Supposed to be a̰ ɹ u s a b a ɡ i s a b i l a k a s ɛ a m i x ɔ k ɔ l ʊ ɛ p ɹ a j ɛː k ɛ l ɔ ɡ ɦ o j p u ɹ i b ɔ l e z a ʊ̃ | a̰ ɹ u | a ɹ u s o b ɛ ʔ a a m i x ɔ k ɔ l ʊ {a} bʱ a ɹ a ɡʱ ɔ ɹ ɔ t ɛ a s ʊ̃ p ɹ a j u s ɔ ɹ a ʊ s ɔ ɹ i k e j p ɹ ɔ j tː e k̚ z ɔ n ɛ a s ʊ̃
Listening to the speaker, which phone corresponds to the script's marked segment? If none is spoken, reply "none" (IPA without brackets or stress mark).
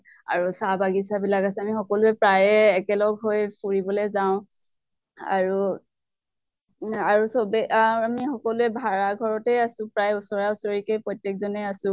ɛ